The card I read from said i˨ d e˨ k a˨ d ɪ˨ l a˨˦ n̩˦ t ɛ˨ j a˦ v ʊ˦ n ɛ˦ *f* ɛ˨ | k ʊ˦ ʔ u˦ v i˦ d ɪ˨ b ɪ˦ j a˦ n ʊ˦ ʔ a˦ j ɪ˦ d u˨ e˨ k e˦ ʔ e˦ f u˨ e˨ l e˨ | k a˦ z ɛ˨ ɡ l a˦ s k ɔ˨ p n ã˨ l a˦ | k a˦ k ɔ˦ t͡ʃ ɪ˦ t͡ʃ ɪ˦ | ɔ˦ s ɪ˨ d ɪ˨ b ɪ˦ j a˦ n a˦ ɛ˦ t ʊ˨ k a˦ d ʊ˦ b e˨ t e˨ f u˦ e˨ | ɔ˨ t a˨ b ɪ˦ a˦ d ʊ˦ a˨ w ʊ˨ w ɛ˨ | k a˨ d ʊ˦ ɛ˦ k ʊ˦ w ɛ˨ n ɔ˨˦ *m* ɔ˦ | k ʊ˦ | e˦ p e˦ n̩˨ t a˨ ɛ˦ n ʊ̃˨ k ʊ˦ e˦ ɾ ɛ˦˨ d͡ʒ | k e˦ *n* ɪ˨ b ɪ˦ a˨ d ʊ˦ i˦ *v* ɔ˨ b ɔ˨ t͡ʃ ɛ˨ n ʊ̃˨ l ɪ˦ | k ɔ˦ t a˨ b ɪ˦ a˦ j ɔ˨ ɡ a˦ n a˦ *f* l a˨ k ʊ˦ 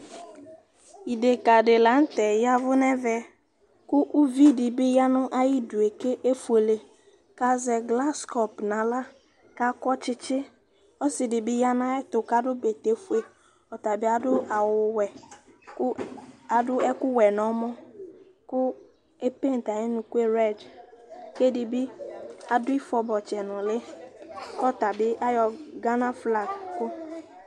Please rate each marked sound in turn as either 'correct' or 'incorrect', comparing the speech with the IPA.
incorrect: v, correct, incorrect: d, incorrect: f, correct

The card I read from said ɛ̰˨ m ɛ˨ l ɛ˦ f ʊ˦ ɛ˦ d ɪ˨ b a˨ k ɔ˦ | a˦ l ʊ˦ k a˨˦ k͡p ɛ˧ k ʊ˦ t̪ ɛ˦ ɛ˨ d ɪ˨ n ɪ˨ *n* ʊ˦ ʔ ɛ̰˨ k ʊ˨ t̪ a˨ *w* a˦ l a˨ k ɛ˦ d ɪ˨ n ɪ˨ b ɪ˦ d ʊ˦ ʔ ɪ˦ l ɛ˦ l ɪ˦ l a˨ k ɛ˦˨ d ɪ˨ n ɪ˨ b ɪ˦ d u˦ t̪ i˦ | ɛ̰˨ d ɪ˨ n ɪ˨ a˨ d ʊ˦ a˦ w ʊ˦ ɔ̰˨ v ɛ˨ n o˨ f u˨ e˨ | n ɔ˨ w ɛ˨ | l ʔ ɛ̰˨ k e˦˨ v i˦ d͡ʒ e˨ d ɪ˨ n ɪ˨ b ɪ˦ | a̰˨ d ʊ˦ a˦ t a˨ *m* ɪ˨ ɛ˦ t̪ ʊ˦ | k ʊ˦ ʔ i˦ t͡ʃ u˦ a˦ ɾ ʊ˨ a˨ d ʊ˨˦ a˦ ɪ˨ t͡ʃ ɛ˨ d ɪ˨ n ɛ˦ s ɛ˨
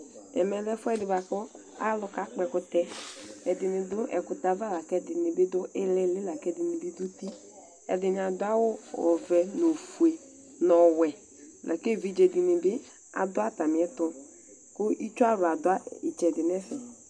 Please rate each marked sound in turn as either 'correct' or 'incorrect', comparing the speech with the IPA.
incorrect: d, incorrect: v, correct

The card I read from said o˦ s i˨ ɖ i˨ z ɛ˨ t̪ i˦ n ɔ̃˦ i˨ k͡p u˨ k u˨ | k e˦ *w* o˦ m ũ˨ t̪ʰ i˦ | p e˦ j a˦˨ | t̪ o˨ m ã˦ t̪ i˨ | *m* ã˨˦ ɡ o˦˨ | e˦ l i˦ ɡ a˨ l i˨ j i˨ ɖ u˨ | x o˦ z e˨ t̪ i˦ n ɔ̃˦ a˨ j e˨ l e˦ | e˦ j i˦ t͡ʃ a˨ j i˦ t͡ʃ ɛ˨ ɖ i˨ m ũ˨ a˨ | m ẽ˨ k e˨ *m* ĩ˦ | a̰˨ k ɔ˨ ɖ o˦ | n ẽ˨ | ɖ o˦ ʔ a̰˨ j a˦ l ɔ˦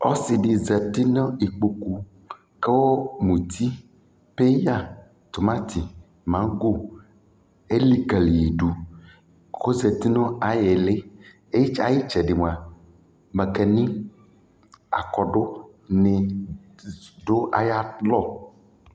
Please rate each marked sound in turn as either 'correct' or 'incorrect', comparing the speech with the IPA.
correct, correct, incorrect: n

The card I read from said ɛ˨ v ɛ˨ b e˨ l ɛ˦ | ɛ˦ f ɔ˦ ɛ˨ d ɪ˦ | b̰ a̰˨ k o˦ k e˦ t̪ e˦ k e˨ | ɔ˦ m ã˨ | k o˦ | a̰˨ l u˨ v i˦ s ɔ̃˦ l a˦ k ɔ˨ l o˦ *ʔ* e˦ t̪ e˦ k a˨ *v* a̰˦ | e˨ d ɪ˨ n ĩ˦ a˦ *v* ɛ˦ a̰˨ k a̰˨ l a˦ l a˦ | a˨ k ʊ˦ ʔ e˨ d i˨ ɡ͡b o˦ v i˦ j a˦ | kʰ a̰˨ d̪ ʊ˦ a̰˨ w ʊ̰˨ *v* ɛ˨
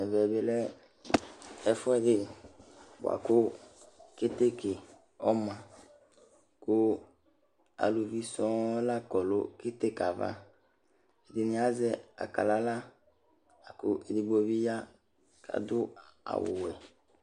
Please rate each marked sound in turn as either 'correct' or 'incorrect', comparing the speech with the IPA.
incorrect: k, correct, incorrect: z, incorrect: w

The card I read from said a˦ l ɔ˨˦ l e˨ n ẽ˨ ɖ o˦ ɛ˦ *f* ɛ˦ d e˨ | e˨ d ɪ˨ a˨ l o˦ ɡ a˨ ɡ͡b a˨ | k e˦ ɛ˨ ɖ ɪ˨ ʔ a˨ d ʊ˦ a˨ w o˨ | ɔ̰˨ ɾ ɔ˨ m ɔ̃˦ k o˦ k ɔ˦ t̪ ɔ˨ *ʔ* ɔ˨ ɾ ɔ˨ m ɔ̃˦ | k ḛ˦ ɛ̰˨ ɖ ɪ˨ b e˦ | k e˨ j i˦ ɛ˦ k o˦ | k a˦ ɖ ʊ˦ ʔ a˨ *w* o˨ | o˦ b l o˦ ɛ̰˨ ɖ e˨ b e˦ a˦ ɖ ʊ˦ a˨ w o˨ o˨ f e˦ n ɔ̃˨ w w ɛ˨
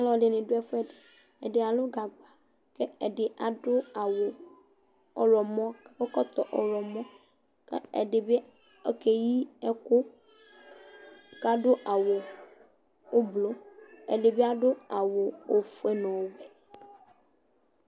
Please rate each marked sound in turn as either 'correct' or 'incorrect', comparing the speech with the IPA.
correct, correct, correct

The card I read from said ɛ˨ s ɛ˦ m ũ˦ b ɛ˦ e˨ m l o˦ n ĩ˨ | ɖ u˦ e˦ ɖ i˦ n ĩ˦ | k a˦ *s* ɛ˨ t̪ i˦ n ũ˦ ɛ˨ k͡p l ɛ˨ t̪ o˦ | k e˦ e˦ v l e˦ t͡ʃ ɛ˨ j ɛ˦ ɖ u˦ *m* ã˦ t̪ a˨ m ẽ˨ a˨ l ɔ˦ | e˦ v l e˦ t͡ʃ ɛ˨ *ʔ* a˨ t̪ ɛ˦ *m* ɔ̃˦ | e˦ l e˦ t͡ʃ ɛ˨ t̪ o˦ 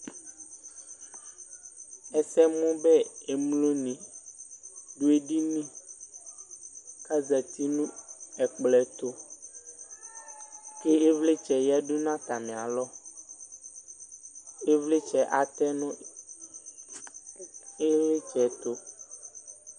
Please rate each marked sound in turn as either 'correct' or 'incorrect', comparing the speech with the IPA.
incorrect: z, incorrect: n, correct, incorrect: n

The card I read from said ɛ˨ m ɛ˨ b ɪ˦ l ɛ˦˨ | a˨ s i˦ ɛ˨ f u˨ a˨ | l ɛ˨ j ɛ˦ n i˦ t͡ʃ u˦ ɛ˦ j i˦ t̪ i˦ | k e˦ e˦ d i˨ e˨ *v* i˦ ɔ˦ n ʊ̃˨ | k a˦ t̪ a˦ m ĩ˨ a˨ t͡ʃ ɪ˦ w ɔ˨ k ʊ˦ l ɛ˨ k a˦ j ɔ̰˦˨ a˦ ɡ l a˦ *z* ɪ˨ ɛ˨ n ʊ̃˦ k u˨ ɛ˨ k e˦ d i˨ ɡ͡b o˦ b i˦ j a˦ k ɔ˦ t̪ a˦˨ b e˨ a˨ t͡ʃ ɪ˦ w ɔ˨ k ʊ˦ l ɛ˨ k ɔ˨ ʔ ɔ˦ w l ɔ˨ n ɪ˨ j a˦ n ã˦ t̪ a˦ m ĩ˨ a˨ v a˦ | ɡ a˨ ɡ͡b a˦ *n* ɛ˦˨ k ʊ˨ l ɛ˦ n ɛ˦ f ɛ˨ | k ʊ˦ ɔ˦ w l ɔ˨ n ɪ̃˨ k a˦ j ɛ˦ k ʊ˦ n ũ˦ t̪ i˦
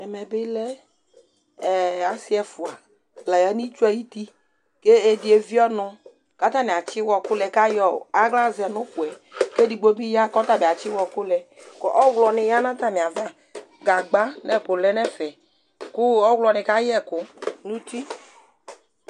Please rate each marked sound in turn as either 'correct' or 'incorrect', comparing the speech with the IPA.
correct, correct, correct

